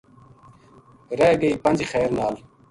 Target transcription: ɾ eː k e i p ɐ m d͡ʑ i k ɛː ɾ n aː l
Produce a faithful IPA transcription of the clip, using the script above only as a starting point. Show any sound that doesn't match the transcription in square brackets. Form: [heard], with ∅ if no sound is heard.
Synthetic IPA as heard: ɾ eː [ɡ] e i p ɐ [n] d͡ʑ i [x] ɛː ɾ n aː l